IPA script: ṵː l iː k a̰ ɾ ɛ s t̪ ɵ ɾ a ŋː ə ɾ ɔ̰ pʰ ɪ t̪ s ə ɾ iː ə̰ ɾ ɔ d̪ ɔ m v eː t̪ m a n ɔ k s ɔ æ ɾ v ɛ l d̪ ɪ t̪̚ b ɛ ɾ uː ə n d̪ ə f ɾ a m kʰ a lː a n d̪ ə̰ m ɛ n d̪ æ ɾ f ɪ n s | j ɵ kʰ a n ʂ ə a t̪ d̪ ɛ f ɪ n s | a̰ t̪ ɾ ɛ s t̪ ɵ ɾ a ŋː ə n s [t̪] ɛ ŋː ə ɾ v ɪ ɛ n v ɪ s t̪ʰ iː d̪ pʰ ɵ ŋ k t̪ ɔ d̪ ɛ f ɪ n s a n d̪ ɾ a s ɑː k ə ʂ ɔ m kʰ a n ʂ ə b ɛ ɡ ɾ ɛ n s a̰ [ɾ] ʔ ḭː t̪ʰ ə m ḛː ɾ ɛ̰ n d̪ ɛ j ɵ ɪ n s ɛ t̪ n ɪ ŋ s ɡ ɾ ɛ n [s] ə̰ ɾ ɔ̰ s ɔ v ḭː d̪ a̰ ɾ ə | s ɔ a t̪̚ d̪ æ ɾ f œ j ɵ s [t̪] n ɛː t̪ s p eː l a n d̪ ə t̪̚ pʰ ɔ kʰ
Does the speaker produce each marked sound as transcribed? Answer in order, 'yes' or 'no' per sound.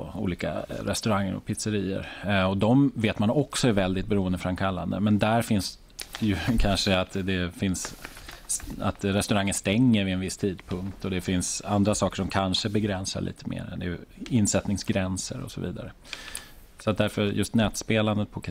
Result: yes, no, yes, yes

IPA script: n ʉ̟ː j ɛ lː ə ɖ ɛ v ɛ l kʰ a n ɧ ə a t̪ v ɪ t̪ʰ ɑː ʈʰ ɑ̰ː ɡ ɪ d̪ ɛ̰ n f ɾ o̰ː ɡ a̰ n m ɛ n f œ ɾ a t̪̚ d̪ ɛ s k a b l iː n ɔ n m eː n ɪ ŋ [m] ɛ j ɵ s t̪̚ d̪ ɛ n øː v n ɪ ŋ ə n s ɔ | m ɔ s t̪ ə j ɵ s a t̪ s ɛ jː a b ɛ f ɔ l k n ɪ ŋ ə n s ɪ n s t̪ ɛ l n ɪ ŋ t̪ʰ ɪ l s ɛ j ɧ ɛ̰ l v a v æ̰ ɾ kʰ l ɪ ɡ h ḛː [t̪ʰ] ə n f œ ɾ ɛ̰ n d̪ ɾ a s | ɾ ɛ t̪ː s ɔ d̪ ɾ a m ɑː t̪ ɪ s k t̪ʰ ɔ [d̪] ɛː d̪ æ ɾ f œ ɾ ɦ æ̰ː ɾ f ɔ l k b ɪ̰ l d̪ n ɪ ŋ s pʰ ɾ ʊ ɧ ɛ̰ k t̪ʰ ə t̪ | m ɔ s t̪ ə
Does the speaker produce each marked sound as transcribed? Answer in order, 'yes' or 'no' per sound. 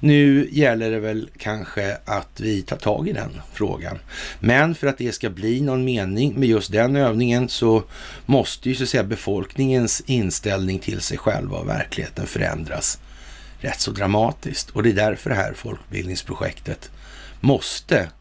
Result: yes, no, yes

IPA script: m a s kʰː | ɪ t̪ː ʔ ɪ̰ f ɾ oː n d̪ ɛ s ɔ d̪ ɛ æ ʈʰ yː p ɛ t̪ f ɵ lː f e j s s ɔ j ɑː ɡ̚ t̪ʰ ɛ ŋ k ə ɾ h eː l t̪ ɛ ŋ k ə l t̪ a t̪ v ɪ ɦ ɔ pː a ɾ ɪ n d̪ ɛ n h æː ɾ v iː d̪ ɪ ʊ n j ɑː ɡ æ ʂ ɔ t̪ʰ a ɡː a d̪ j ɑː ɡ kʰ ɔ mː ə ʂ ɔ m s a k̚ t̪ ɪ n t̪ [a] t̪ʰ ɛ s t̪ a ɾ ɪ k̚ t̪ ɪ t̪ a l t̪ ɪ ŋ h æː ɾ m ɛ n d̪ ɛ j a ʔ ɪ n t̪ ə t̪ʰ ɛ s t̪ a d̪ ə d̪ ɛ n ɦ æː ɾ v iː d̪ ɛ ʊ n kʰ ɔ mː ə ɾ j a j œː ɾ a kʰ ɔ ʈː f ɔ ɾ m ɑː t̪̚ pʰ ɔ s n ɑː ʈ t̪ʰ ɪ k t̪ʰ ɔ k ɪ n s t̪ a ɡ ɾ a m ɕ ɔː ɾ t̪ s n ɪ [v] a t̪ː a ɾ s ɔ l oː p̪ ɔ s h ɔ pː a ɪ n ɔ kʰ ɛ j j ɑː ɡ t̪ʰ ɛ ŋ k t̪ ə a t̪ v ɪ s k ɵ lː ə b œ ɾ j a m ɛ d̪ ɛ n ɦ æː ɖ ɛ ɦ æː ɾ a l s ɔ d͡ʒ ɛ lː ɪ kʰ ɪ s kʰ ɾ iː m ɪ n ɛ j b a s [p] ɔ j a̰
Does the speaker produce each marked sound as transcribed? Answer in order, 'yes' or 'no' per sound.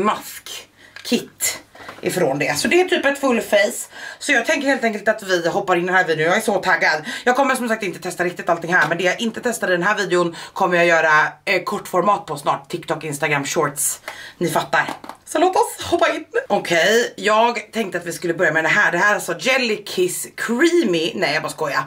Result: no, no, no

